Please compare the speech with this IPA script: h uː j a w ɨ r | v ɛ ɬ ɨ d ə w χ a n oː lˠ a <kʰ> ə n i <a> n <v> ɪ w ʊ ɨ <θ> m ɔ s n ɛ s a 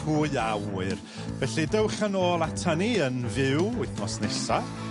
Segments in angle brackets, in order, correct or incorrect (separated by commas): incorrect, incorrect, correct, correct